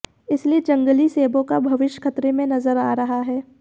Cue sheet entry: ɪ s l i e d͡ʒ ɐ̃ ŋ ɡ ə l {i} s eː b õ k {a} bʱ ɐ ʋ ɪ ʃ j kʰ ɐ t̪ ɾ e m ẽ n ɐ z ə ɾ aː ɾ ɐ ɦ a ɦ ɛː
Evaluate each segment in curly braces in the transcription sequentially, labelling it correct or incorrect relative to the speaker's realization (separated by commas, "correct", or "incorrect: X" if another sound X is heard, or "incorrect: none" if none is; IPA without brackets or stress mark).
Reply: correct, correct